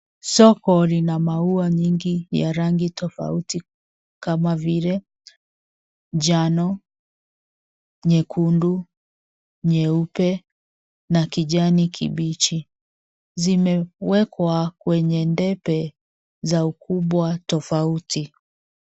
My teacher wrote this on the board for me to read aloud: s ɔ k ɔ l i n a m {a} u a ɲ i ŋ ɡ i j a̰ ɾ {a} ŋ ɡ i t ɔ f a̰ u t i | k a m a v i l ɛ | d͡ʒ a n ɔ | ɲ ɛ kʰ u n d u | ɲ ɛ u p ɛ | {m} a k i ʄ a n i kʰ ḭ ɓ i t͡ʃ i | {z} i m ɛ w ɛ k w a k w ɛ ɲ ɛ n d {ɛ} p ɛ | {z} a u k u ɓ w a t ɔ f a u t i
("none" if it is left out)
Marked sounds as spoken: a, a, n, z, ɛ, z

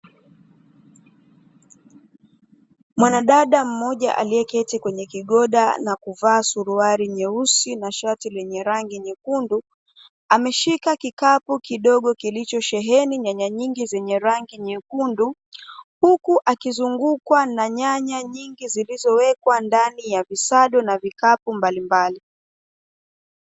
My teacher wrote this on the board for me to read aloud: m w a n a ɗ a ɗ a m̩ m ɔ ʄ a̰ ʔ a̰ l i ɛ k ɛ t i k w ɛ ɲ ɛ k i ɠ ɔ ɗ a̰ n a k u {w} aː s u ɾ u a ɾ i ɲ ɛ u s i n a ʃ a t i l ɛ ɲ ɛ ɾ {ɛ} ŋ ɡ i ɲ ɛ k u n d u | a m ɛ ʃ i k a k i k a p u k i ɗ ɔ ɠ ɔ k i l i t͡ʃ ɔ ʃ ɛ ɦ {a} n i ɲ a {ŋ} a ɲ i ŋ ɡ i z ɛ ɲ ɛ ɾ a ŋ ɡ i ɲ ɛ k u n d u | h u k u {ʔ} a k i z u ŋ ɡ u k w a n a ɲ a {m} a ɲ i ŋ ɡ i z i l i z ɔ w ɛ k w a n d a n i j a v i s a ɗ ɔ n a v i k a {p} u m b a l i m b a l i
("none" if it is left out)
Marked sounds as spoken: v, a, ɛ, ɲ, ʔ, ɲ, p

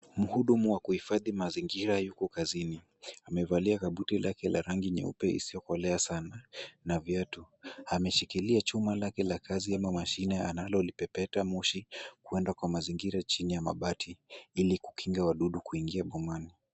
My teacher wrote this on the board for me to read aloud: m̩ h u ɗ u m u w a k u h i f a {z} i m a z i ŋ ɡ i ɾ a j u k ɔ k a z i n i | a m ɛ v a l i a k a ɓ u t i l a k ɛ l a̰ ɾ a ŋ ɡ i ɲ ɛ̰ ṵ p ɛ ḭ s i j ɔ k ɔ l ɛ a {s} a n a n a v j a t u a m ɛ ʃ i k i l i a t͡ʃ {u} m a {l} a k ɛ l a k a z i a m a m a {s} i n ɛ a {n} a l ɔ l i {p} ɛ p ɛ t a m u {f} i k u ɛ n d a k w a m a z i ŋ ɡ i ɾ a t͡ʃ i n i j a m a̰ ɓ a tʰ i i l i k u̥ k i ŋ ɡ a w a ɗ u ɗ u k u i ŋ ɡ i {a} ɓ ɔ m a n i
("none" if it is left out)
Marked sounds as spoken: ð, s, u, l, ʃ, n, p, ʃ, a

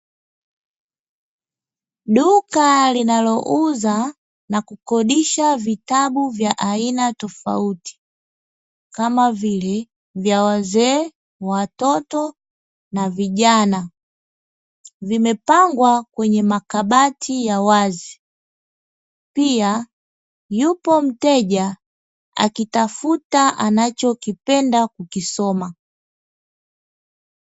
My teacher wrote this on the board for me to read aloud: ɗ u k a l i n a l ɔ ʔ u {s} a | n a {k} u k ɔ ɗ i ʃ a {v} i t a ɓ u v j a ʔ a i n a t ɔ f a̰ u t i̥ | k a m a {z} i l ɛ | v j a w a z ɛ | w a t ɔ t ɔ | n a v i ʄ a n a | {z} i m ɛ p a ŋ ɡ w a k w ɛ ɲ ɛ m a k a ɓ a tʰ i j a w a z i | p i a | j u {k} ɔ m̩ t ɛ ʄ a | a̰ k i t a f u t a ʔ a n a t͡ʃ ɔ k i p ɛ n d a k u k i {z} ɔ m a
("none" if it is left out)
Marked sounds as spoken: z, k, v, v, v, p, s

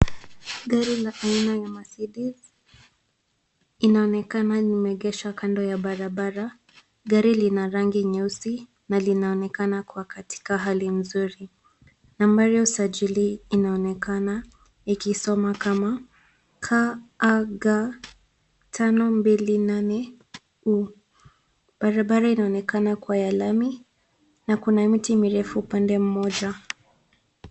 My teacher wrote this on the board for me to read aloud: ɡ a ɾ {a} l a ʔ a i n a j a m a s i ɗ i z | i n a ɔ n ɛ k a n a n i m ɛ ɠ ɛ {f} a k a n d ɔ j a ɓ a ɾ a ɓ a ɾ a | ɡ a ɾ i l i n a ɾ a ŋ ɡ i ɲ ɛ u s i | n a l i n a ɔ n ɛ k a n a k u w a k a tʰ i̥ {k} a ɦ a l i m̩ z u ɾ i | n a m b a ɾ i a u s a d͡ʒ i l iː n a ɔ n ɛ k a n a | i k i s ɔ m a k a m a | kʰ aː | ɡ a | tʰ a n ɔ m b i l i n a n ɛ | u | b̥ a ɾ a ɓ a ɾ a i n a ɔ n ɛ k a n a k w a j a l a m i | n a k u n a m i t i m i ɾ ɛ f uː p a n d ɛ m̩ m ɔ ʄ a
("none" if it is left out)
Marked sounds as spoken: i, ʃ, k

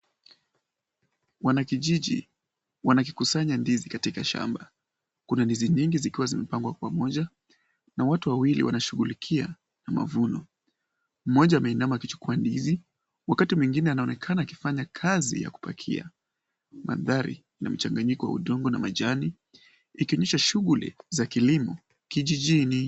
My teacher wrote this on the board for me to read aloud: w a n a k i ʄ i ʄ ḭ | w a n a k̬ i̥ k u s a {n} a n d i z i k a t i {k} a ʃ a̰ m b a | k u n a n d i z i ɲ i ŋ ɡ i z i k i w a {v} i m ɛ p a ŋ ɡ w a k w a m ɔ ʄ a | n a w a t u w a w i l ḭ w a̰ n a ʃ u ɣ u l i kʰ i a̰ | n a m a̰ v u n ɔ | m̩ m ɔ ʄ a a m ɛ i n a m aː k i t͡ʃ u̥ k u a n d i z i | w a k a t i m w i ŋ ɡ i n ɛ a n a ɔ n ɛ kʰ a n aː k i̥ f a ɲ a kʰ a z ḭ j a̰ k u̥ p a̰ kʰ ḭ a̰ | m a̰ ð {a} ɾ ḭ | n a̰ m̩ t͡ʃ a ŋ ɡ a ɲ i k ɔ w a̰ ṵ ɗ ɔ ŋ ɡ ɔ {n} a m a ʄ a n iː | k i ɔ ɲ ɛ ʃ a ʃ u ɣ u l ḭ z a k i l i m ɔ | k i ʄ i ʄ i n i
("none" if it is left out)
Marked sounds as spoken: ɲ, k, z, a, n

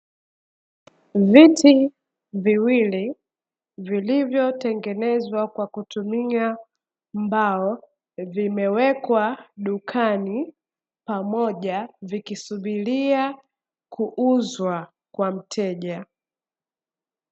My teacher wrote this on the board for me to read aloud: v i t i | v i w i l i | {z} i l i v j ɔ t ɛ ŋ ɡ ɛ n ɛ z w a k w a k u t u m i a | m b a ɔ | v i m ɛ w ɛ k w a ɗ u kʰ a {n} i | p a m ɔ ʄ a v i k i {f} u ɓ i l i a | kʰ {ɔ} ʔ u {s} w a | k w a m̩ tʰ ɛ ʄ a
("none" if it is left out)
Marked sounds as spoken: v, n, s, u, z

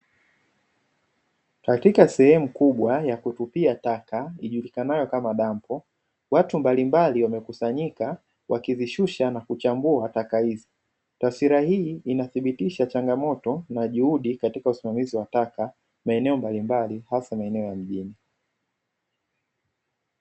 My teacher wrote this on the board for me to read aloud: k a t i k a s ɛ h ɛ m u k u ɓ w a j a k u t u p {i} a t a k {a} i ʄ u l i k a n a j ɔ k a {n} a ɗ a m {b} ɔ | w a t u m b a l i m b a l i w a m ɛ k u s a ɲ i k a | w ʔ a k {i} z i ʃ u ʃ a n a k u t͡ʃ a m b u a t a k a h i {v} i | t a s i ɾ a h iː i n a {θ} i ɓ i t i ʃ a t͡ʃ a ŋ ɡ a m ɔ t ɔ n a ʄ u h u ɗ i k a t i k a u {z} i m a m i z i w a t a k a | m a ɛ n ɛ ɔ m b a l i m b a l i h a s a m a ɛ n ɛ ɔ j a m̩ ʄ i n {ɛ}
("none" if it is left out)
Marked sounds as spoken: i, a, m, p, i, z, θ, s, i

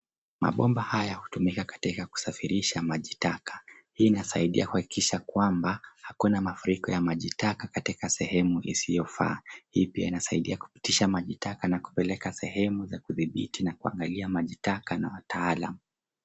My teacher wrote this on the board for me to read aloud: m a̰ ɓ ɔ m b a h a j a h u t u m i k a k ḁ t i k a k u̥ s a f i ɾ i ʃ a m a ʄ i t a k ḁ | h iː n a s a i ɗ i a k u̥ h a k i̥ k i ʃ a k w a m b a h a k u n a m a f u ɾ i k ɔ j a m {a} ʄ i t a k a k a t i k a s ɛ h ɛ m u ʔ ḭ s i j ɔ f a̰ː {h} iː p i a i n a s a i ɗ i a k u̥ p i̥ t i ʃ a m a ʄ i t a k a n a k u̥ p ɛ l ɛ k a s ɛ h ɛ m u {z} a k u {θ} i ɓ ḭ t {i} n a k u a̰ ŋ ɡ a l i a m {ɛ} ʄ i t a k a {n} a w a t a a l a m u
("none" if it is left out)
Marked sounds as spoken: a, h, z, ð, i, a, n

